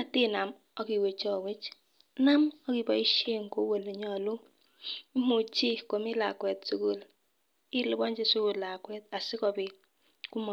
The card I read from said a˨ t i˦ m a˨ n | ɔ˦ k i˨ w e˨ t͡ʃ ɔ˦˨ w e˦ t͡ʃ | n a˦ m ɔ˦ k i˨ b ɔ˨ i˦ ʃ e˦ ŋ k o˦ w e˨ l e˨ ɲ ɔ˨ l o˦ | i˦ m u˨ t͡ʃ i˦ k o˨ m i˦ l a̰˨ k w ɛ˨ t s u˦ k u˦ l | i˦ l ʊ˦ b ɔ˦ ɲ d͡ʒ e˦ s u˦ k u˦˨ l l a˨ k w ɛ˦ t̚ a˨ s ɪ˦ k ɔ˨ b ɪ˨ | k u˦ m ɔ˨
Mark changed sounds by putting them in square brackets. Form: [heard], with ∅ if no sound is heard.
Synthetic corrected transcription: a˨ t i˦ [n] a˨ [m] | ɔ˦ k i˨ w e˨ t͡ʃ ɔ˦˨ w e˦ t͡ʃ | n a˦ m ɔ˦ k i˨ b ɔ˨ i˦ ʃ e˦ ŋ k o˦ w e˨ l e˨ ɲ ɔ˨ l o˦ | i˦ m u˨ t͡ʃ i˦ k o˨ m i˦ l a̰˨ k w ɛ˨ t s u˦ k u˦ l | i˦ l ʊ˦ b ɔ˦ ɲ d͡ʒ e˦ s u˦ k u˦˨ l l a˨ k w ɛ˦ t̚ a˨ s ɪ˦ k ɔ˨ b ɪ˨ | k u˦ m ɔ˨